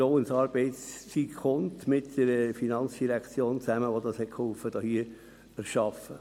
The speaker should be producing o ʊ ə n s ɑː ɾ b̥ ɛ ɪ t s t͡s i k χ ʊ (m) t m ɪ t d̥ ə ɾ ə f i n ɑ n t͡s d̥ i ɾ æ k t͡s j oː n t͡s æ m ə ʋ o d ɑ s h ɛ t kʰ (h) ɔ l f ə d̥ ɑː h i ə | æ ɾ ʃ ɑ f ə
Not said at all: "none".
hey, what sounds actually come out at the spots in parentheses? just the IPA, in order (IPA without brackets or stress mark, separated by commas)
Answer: n, h